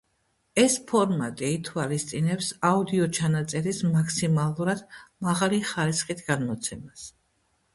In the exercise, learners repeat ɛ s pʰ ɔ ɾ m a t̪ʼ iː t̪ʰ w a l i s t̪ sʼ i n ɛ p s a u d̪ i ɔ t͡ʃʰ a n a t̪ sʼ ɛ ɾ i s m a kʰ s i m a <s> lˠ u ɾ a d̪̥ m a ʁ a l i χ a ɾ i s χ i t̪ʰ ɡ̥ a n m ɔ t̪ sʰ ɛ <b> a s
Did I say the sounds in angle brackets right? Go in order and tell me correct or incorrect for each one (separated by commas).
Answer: incorrect, incorrect